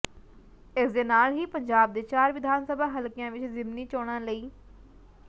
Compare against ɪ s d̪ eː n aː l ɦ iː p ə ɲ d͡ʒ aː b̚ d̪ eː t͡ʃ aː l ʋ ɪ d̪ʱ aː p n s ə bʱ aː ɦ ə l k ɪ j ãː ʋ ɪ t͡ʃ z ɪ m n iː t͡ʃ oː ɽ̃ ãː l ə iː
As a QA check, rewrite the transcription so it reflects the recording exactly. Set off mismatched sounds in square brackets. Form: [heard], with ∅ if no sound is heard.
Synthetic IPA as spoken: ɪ s d̪ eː n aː l ɦ iː p ə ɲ d͡ʒ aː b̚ d̪ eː t͡ʃ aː [ɾ] ʋ ɪ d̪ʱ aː [∅] n s ə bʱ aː ɦ ə l k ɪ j ãː ʋ ɪ t͡ʃ z ɪ m n iː t͡ʃ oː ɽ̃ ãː l ə iː